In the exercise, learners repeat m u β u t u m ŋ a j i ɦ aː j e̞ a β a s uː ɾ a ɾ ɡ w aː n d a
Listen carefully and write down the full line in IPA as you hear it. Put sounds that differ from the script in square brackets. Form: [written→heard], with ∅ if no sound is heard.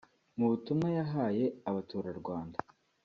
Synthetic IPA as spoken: m u β u t u m ŋ a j [i→a] ɦ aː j e̞ a β a [s→t] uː ɾ a ɾ ɡ w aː n d a